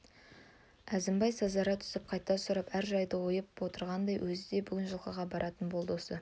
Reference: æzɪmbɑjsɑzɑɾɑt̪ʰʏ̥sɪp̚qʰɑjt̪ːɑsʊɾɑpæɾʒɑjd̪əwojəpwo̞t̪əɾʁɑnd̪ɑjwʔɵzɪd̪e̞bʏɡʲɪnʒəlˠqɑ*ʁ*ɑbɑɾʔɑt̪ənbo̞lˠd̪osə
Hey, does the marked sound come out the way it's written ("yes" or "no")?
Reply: yes